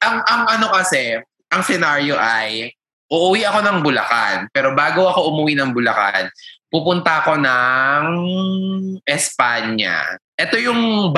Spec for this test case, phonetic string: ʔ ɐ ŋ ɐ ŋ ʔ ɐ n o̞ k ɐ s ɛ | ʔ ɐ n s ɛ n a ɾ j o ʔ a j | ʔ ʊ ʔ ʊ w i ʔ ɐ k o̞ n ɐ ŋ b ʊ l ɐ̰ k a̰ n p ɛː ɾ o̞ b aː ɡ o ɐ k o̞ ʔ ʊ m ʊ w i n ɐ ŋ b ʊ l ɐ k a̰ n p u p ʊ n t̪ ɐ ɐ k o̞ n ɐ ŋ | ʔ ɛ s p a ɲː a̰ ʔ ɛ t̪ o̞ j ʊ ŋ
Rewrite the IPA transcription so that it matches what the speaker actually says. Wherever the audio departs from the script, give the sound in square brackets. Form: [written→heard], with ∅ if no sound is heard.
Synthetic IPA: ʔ ɐ ŋ ɐ ŋ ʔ ɐ n o̞ k ɐ s ɛ | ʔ ɐ [n→ŋ] s ɛ n a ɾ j o ʔ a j | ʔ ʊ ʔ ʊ w i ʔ ɐ k o̞ n ɐ ŋ b ʊ l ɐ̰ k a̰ n p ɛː ɾ o̞ b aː ɡ o ɐ k o̞ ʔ ʊ m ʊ w i n ɐ ŋ b ʊ l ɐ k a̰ n p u p ʊ n t̪ ɐ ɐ k o̞ n ɐ ŋ | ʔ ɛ s p a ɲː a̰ ʔ ɛ t̪ o̞ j ʊ ŋ